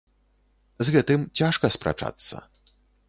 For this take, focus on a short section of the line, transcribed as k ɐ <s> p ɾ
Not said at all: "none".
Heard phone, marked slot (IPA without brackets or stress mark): s